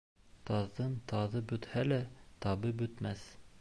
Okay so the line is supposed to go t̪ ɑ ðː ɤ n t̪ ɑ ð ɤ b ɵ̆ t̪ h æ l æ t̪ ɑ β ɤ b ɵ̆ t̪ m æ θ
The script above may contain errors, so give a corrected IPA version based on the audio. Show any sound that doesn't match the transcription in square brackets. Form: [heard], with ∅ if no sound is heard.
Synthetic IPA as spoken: t̪ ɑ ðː ɤ n t̪ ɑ ð ɤ b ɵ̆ t̪ h æ l æ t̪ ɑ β ɤ b ɵ̆ t̪ m æ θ